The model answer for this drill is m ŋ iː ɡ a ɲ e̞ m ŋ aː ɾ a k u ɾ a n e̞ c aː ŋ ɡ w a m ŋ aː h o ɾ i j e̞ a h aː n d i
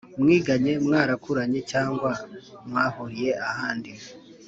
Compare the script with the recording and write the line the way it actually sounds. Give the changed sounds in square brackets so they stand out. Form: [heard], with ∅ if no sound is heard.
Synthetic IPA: m ŋ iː ɡ a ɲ e̞ m ŋ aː ɾ a k u ɾ a [ɲ] e̞ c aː ŋ ɡ w a m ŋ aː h o ɾ i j e̞ a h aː n d i

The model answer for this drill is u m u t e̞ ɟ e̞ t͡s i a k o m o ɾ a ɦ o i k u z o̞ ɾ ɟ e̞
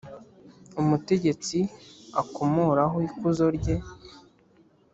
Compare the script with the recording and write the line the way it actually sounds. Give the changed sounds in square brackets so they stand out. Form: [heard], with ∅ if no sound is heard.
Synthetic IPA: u m u t e̞ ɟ e̞ t͡s i a k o m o ɾ a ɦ o i k u z o̞ ɾ ɟ e̞

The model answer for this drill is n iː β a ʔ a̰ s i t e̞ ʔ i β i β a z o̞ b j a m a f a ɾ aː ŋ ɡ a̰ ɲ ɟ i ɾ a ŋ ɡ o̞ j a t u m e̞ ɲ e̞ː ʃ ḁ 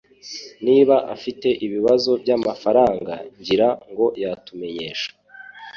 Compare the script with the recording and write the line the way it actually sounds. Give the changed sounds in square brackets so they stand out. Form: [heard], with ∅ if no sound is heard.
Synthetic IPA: n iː β a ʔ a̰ [f] i t e̞ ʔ i β i β a z o̞ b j a m a f a ɾ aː ŋ ɡ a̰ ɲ ɟ i ɾ a ŋ ɡ o̞ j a t u m e̞ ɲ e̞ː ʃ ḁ

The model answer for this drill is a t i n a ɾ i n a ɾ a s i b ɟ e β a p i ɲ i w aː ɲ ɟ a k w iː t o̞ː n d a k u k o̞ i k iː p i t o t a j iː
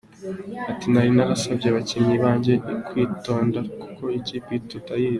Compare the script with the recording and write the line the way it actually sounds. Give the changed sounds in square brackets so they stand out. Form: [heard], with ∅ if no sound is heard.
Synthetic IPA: a t i n a ɾ i n a ɾ a s [a] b ɟ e β a [c] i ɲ i [β] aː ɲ ɟ [e] k w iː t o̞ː n d a k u k o̞ i [c] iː p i t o t a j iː

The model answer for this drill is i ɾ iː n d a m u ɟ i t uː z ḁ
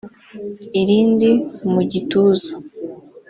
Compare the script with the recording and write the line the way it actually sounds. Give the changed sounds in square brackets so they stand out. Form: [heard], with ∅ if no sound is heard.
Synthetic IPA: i ɾ iː n d [i] m u ɟ i t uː z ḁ

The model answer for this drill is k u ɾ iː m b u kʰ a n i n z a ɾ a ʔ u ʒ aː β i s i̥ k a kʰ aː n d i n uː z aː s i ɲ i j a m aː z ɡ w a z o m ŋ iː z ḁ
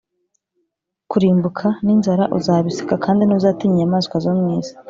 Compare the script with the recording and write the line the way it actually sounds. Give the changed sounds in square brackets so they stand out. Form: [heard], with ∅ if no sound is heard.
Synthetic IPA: k u ɾ iː m b u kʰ a n i n z a ɾ a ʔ u [z] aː β i s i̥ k a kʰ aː n d i n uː z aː [t] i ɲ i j a m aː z [k] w a z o m ŋ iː z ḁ

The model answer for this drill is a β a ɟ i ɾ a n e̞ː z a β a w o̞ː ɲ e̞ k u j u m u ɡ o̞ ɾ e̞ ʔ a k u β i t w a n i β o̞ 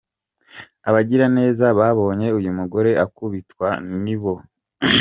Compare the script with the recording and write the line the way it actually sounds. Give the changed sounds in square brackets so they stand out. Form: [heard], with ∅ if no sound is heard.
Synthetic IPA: a β a ɟ i ɾ a n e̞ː z a β a [β] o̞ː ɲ e̞ [∅] u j u m u ɡ o̞ ɾ e̞ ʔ a k u β i t w a n i β o̞

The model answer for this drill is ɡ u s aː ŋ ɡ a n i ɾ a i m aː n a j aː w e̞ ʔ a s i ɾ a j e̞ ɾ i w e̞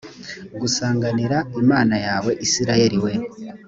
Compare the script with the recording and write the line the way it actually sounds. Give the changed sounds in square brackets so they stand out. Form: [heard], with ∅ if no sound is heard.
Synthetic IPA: ɡ u s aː ŋ ɡ a n i ɾ a i m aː n a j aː w e̞ ʔ [i] s i ɾ a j e̞ ɾ i w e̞

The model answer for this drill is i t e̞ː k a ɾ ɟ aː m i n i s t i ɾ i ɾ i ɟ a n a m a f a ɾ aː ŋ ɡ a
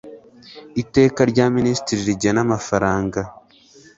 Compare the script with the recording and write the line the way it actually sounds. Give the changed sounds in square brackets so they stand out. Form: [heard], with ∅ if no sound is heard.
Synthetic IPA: i t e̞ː k a ɾ ɟ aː m i n i s t i ɾ i ɾ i ɟ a n a m a f a ɾ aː ŋ ɡ a

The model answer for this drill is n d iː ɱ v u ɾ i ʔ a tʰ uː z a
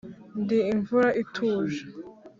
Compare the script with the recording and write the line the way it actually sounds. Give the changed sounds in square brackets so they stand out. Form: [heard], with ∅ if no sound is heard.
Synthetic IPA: n d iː ɱ v u ɾ [a] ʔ [i] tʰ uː [ʒ] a

